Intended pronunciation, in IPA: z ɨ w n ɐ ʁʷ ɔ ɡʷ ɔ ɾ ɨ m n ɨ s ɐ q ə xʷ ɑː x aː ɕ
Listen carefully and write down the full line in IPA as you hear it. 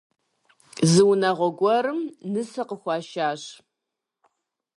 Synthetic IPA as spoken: z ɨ w n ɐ ʁʷ ɔ ɡʷ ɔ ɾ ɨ m n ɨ s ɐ q ə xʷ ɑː ʃ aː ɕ